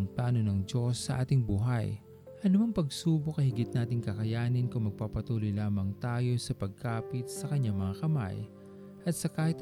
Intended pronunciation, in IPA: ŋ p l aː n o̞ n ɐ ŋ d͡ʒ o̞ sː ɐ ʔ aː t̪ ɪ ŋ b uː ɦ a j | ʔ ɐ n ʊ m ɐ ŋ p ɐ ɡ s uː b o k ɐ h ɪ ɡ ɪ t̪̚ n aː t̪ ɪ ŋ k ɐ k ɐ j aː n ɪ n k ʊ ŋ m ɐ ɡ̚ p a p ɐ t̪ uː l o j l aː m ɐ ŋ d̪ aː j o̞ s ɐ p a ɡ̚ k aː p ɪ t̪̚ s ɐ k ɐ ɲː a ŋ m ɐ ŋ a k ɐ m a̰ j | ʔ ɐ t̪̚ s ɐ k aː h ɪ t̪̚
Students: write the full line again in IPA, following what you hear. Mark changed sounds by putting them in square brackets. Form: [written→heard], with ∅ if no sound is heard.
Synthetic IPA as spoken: ŋ p l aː n o̞ n ɐ ŋ d͡ʒ o̞ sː ɐ ʔ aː t̪ ɪ ŋ b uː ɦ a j | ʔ ɐ n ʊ m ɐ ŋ p ɐ ɡ s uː b o k ɐ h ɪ ɡ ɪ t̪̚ n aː t̪ ɪ ŋ k ɐ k ɐ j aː n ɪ n k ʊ ŋ m ɐ ɡ̚ p a p ɐ t̪ uː l o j l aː m ɐ ŋ [d̪→t̪] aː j o̞ s ɐ p [a→ɐ] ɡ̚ k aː p ɪ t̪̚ s ɐ k ɐ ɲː a ŋ m ɐ ŋ a k ɐ m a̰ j | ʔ ɐ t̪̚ s ɐ k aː h ɪ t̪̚